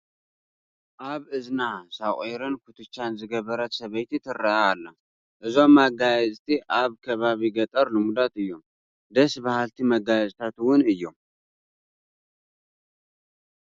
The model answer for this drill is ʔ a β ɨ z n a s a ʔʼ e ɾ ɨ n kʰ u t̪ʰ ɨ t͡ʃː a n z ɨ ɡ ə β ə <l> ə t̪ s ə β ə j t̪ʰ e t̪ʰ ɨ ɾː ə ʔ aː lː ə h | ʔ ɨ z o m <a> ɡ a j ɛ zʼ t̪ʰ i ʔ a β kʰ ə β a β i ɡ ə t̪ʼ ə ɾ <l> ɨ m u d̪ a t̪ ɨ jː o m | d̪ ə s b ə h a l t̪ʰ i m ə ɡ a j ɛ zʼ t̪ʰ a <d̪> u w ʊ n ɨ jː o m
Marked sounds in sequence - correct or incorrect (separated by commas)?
incorrect, correct, correct, incorrect